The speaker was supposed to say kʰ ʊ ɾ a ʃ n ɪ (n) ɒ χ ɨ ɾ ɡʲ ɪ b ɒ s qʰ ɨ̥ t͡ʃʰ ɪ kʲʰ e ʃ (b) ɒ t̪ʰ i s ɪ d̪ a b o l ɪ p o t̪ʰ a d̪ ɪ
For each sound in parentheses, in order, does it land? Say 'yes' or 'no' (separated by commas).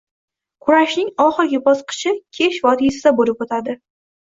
no, no